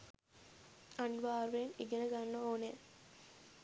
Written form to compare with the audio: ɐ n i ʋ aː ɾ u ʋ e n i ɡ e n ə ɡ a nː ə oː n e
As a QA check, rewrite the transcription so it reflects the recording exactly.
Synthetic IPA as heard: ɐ n i ʋ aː ɾ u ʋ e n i ɡ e n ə ɡ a nː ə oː n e